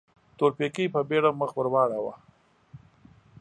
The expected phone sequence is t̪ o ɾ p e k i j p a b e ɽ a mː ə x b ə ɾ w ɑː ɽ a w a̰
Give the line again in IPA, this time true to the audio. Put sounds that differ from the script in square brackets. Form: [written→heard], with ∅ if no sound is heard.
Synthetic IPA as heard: t̪ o ɾ p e k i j p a b e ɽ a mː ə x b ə ɾ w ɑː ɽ a w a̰